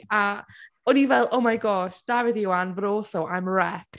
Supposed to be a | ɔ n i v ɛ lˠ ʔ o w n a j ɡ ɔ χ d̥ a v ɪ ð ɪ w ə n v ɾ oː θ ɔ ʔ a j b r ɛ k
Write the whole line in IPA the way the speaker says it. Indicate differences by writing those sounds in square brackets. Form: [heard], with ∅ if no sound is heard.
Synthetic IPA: a | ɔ n i v ɛ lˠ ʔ o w [m] a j ɡ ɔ [ʃ] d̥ a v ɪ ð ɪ w [a] n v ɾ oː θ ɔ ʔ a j [m] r ɛ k